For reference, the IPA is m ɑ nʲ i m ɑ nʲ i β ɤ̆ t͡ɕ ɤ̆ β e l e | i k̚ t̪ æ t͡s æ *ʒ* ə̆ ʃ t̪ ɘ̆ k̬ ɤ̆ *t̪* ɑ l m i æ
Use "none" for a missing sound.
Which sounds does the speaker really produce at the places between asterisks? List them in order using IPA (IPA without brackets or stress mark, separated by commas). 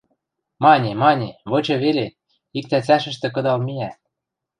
ʃ, d̪